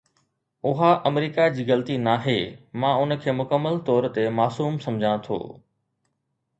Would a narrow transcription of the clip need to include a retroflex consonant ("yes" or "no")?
no